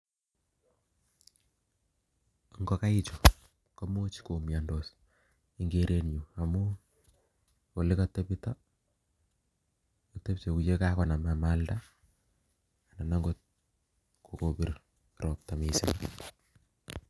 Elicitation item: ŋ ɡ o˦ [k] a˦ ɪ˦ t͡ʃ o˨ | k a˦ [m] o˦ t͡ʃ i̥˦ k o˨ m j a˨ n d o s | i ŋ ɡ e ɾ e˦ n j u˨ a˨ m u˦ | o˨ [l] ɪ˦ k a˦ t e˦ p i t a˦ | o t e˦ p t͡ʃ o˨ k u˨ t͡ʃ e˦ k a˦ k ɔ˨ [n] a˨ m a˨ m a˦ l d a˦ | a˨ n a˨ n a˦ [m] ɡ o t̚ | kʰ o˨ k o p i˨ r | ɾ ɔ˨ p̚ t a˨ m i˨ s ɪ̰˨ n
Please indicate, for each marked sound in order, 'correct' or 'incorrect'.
correct, correct, correct, correct, incorrect: ŋ

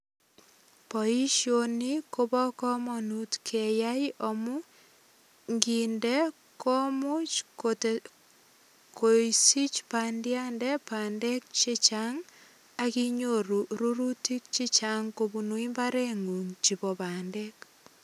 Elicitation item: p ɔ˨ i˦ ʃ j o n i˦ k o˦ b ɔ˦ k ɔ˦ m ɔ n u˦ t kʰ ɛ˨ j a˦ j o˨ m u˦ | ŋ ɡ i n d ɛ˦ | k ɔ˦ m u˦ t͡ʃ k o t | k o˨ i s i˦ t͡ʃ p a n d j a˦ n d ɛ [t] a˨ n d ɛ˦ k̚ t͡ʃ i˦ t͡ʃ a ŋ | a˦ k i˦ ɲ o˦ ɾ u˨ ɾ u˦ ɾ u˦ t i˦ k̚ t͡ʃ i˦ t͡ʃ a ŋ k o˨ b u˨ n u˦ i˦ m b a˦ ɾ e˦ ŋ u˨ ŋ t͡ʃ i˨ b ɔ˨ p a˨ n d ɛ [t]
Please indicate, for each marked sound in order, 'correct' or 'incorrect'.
incorrect: p, incorrect: k

